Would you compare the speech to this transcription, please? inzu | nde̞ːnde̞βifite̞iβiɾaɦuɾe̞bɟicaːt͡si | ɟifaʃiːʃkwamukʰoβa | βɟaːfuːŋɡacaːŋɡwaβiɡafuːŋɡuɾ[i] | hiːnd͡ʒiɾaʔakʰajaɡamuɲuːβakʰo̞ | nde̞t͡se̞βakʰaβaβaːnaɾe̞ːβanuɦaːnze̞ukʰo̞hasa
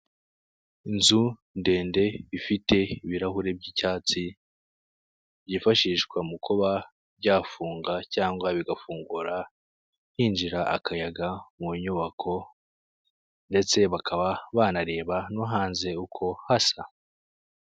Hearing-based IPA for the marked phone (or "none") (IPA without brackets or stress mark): a